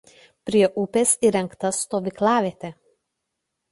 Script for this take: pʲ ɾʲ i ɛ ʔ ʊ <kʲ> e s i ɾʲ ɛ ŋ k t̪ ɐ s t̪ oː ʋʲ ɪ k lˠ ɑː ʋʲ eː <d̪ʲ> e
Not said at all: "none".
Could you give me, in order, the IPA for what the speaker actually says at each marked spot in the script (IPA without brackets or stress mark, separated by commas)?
pʲ, t̪ʲ